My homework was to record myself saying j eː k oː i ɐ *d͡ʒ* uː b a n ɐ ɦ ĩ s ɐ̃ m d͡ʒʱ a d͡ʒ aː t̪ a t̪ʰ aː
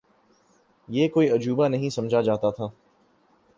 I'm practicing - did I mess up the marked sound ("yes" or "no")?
no